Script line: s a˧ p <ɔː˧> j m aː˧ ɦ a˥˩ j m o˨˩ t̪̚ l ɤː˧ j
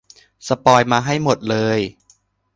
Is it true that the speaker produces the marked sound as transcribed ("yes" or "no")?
yes